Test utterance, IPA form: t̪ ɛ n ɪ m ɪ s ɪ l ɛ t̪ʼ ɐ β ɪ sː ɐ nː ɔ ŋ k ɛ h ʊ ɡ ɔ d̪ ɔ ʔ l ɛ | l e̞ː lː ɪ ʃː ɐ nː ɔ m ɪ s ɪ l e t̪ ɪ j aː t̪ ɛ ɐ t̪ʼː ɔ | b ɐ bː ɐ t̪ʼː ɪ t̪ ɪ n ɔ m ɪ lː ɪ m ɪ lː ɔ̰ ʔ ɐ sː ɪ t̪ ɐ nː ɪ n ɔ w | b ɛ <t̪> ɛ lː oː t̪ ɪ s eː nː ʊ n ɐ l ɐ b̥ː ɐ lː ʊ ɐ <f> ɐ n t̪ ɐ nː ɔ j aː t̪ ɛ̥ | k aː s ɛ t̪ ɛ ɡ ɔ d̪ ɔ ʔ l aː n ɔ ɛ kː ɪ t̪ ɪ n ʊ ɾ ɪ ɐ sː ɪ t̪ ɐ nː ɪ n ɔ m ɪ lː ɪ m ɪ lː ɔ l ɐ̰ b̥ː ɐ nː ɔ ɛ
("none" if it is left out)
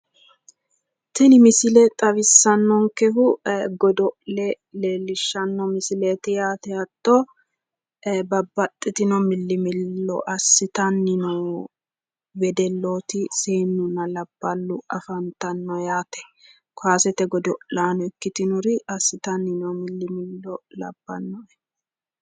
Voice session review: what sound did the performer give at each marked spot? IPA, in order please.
d̪, f

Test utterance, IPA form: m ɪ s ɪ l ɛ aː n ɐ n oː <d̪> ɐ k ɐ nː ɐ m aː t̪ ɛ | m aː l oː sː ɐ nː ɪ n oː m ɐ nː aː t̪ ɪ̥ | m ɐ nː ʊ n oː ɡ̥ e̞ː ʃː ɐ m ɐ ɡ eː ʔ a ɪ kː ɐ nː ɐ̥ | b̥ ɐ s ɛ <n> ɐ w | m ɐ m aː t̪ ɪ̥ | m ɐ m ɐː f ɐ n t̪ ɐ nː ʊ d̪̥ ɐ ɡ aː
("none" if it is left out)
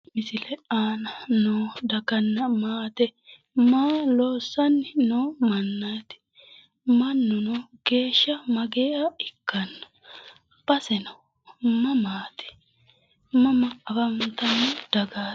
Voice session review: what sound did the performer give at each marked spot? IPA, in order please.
d̪, n

